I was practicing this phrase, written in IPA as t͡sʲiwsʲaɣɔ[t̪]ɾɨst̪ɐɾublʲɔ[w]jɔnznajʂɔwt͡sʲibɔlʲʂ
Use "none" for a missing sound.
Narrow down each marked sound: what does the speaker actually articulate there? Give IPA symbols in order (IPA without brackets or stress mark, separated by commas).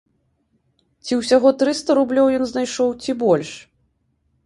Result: t̪, w